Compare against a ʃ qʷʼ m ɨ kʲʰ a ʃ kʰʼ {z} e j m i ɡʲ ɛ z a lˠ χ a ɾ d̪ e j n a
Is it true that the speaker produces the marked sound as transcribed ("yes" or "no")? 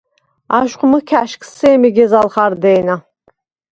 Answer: no